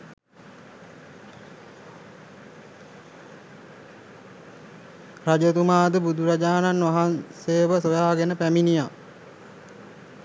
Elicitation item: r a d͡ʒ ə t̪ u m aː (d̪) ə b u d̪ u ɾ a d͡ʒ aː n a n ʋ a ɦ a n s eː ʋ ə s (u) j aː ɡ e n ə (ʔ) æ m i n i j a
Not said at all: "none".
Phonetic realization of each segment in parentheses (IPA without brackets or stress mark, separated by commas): d̪, o, p